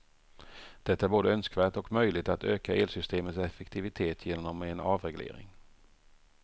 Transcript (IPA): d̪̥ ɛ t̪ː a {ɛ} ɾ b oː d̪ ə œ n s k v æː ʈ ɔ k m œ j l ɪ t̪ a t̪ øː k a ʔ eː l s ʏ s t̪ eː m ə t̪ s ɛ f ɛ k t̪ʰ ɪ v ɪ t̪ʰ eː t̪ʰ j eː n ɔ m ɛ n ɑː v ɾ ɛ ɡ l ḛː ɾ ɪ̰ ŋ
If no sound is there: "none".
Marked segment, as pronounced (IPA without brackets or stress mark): æ